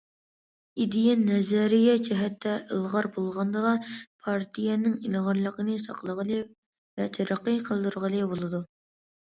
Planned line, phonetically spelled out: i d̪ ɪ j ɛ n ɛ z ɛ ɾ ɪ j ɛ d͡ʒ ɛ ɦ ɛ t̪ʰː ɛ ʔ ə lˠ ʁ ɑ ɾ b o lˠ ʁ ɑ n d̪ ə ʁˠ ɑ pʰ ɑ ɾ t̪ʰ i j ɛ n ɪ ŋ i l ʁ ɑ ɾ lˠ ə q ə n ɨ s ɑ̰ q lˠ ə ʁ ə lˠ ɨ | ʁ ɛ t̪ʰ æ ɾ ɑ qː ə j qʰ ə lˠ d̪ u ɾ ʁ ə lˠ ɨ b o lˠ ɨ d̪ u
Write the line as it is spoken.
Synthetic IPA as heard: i d̪ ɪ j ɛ n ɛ z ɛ ɾ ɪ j ɛ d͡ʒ ɛ ɦ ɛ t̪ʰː ɛ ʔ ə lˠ ʁ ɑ ɾ b o lˠ ʁ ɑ n d̪ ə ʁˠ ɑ pʰ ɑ ɾ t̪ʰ i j ɛ n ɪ ŋ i l ʁ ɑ ɾ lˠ ə q ə n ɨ s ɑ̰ q lˠ ə ʁ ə lˠ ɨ | v ɛ t̪ʰ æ ɾ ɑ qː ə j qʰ ə lˠ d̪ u ɾ ʁ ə lˠ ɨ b o lˠ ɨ d̪ u